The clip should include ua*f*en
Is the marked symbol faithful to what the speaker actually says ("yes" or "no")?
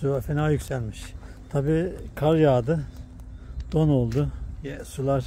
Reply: yes